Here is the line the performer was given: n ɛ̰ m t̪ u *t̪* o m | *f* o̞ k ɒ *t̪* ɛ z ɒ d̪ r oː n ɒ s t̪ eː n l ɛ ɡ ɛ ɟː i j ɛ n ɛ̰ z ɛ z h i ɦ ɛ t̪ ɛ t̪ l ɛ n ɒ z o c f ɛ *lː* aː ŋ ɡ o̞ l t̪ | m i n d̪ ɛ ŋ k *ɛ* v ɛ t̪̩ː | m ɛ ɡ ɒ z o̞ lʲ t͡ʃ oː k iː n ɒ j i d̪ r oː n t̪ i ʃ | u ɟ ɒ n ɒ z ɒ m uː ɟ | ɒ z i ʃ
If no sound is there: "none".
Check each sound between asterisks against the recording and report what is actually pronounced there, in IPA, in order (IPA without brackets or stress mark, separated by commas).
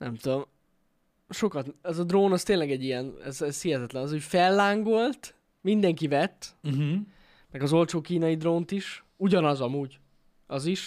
d̪, ʃ, t̪, lː, i